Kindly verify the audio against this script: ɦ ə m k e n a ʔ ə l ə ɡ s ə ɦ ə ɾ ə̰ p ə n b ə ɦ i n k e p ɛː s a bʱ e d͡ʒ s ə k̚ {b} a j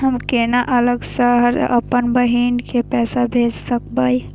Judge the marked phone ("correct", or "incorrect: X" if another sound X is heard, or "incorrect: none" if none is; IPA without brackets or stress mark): correct